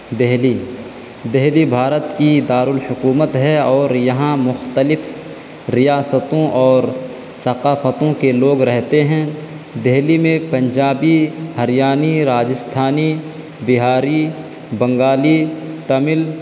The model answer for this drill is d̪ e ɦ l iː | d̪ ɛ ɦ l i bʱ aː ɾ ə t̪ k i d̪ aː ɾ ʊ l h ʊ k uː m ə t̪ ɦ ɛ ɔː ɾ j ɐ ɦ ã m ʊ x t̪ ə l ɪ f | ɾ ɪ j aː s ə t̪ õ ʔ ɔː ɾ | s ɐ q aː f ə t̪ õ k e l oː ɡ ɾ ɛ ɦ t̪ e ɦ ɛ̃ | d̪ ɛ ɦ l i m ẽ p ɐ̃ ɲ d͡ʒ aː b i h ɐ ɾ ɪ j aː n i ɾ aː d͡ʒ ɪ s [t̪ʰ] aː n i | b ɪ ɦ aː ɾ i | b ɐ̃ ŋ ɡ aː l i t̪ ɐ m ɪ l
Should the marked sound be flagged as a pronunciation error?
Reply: no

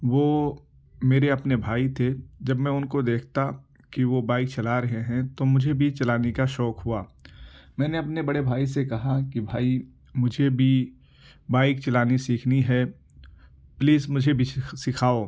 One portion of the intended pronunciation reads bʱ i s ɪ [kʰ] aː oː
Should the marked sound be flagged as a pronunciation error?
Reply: no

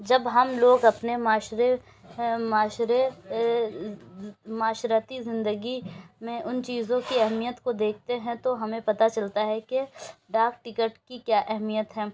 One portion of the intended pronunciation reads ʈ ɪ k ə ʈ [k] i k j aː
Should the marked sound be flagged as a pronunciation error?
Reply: no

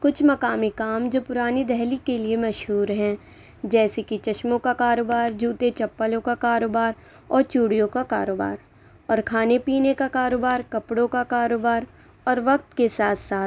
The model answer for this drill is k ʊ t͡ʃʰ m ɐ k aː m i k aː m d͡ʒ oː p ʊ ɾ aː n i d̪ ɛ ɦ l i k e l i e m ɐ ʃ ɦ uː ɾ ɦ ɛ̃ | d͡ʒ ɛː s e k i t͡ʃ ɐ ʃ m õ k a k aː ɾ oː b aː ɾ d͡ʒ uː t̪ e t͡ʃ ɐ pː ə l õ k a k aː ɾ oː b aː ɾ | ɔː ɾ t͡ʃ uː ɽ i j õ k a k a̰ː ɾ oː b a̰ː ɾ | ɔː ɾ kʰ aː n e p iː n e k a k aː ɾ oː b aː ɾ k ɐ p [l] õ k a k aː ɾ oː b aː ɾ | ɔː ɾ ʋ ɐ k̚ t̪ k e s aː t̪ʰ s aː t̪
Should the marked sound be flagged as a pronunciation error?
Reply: yes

